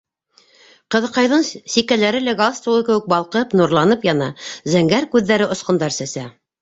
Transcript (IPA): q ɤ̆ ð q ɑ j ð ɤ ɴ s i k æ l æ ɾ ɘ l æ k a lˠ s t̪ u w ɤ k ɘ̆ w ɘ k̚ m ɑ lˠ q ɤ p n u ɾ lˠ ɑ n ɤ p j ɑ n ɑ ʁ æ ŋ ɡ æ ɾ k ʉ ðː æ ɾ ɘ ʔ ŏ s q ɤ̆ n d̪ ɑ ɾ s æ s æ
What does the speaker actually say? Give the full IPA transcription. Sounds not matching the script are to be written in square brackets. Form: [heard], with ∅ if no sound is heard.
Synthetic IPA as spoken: q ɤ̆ ð q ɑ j ð ɤ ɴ s i k æ l æ ɾ ɘ l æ [ɡ] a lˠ s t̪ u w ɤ k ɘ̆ w ɘ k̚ [b] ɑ lˠ q ɤ p n u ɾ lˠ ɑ n ɤ p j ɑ n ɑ [z] æ ŋ ɡ æ ɾ k ʉ ðː æ ɾ ɘ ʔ ŏ s q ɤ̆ n d̪ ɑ ɾ s æ s æ